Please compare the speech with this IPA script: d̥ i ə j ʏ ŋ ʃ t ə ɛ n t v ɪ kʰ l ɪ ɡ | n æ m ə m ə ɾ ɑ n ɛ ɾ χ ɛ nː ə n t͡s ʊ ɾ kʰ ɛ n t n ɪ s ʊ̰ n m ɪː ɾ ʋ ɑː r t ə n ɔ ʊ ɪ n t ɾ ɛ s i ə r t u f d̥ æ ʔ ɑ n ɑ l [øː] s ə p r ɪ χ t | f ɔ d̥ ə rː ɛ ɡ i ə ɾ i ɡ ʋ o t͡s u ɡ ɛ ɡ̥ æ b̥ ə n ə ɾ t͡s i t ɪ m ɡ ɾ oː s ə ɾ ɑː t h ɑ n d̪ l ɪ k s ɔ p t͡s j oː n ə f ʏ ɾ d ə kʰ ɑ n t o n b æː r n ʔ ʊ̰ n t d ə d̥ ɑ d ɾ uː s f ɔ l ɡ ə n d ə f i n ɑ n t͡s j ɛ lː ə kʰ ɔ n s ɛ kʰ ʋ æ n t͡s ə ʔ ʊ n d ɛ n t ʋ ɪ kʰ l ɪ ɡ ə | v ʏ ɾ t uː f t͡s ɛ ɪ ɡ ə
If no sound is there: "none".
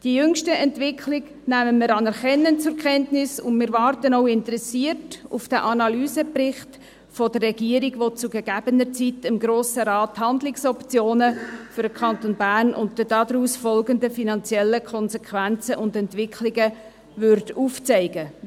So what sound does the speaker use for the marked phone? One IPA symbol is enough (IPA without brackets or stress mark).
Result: yː